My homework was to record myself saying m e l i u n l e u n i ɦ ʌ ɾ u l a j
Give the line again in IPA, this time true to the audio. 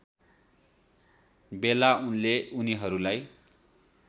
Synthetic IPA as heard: b e l a u n l e u n i ɦ ʌ ɾ u l a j